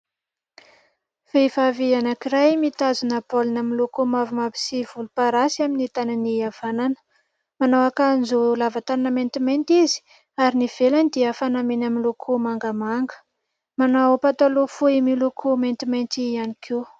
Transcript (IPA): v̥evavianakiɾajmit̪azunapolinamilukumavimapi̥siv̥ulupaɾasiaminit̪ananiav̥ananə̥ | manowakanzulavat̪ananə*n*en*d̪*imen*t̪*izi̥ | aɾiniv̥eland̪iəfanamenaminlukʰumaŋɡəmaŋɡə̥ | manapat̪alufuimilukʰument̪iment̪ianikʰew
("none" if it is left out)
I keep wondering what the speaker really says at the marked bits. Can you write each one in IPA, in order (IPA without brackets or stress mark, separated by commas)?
m, t̪, t̪